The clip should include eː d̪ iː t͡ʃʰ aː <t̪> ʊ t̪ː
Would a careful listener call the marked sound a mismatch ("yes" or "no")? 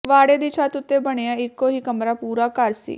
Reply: no